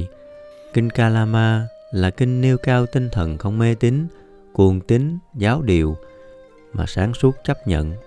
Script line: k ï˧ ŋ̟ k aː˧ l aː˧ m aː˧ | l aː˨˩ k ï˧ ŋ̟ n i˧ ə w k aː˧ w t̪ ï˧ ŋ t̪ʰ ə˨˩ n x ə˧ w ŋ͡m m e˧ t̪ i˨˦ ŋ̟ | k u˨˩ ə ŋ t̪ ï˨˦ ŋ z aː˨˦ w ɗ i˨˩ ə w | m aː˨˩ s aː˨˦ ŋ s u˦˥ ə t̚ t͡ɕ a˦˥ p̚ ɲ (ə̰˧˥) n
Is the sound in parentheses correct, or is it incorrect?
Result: incorrect